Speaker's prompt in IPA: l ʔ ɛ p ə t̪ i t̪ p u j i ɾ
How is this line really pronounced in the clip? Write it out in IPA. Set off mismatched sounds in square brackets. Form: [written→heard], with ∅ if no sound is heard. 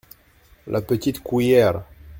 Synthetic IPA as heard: l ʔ [ɛ→a] p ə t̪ i t̪ [p→k] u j [i→ɛ] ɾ